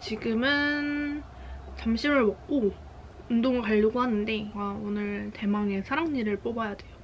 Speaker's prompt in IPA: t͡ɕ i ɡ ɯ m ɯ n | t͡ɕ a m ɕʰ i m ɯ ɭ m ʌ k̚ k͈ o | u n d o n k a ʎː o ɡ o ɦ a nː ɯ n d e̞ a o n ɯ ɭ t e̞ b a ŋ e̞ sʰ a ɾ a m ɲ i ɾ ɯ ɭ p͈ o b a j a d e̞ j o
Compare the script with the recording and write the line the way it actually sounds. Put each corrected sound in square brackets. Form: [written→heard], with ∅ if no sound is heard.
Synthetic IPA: t͡ɕ i ɡ ɯ m ɯ n | t͡ɕ a m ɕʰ i m ɯ ɭ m ʌ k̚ k͈ o | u n d o [n→ŋ] k a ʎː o ɡ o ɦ a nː ɯ n d e̞ a o n ɯ ɭ t e̞ [b→m] a ŋ e̞ sʰ a ɾ a [m→ŋ] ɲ i ɾ ɯ ɭ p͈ o b a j a d e̞ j o